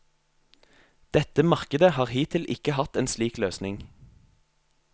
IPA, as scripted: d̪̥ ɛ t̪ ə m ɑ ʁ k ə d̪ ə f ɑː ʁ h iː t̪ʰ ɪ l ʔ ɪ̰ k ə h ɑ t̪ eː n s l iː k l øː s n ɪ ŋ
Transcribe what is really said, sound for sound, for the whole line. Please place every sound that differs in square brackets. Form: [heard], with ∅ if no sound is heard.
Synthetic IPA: d̪̥ ɛ t̪ ə m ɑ ʁ k ə d̪ ə [h] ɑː ʁ h iː t̪ʰ ɪ l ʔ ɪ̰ k ə h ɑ t̪ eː n s l iː k l øː s n ɪ ŋ